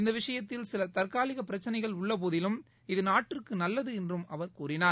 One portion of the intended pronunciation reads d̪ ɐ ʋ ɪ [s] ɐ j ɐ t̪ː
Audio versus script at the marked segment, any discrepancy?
yes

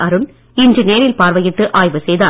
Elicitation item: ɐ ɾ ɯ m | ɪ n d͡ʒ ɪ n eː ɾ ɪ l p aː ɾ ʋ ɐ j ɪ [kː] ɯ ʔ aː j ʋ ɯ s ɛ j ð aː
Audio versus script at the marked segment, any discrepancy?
yes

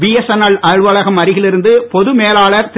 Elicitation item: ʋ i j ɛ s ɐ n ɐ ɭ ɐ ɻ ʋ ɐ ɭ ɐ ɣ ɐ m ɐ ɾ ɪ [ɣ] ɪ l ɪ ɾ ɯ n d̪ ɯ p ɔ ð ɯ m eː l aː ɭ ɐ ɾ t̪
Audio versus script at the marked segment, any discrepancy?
no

